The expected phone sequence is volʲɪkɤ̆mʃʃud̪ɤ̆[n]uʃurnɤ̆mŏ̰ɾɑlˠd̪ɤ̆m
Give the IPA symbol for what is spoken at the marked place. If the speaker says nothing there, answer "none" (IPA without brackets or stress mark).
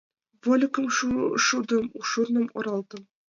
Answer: m